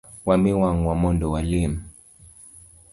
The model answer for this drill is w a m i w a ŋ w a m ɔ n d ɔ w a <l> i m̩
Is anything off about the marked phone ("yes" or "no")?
no